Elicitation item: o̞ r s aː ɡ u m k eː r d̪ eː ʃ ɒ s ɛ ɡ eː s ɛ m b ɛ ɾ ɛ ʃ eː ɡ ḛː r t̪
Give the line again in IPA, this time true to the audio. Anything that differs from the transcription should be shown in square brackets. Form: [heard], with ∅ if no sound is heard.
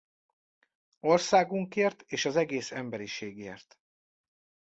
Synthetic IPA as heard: o̞ r s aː ɡ u [ŋ] k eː r [t̪] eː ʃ ɒ [z] ɛ ɡ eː s ɛ m b ɛ ɾ [i] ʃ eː ɡ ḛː r t̪